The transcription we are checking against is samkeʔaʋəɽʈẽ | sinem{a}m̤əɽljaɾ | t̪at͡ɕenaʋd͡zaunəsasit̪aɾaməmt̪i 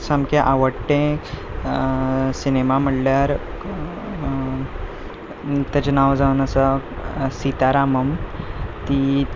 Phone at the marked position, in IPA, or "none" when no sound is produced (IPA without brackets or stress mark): a